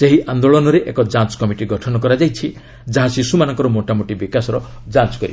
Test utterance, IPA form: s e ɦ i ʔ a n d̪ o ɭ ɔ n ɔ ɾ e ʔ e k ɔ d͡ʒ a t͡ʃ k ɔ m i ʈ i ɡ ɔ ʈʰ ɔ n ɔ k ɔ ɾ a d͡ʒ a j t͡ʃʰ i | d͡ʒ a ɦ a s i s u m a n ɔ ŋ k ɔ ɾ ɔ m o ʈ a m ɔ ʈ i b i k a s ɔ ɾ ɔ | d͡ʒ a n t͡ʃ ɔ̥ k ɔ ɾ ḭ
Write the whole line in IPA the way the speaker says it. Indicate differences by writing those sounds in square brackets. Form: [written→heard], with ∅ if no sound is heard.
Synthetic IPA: s e ɦ i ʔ a n d̪ o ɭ ɔ n ɔ ɾ e ʔ e k ɔ d͡ʒ a t͡ʃ k ɔ m i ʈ i ɡ ɔ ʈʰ ɔ n ɔ k ɔ ɾ a d͡ʒ a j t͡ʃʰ i | d͡ʒ a ɦ a s i s u m a n ɔ ŋ k ɔ ɾ ɔ m o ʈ a m [ɔ→o] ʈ i b i k a s ɔ ɾ ɔ | d͡ʒ a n t͡ʃ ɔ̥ k ɔ ɾ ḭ